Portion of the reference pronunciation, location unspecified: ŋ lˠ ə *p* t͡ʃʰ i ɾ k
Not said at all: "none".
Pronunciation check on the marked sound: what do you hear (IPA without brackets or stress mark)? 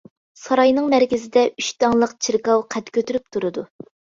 q